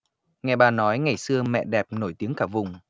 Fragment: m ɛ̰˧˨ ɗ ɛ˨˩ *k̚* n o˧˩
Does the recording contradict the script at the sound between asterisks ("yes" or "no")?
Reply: yes